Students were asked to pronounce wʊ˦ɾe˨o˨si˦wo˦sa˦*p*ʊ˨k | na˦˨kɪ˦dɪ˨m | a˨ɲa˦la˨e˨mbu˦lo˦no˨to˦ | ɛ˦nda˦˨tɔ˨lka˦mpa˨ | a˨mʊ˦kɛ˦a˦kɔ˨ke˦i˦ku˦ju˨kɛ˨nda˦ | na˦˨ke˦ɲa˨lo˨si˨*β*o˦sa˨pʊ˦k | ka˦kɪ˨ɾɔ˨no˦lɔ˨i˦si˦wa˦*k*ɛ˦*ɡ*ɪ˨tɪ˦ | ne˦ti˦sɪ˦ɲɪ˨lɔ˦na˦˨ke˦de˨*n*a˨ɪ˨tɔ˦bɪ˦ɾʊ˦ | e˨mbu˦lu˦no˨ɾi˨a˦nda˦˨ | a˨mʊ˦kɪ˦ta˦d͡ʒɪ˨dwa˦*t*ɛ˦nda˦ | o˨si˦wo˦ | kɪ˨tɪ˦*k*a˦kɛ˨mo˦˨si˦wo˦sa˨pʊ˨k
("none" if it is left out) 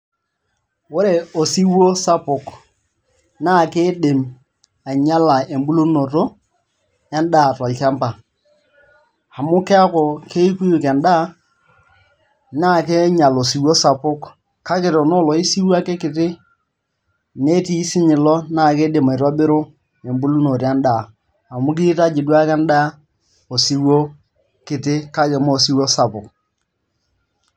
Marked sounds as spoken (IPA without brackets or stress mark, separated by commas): p, w, k, k, m, k, k